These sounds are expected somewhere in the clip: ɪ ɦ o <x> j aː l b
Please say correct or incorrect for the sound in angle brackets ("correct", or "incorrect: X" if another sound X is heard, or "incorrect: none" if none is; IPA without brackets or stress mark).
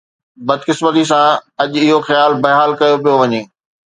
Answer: correct